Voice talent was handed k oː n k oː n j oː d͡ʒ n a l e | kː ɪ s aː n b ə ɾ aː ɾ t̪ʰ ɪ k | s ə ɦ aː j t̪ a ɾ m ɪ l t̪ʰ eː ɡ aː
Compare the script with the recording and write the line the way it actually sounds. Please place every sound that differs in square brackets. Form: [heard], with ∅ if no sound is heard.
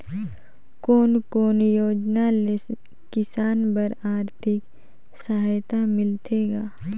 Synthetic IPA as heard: k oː n k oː n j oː d͡ʒ n a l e | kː ɪ s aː n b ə ɾ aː ɾ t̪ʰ ɪ k | s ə ɦ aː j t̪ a [∅] m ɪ l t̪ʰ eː ɡ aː